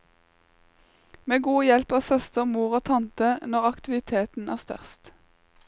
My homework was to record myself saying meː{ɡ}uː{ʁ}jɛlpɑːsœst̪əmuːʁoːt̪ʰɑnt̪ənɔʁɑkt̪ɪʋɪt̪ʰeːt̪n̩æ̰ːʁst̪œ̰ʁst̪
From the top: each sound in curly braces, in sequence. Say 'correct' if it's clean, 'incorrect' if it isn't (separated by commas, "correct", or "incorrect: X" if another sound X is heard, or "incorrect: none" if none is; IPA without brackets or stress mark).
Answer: correct, incorrect: none